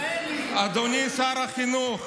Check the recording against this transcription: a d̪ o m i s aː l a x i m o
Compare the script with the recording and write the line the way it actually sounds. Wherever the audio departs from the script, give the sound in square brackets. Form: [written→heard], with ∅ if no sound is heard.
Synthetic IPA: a d̪ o [m→n] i s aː [l→ɾ] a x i [m→n] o